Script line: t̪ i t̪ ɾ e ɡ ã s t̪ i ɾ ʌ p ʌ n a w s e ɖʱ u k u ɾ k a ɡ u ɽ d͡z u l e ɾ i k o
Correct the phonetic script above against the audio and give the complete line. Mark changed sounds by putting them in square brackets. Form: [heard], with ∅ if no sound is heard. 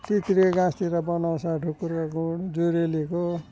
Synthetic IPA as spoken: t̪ i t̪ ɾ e ɡ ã s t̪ i ɾ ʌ [b] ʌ n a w s [a] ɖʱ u k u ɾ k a ɡ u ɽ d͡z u [ɾ] e [l] i k o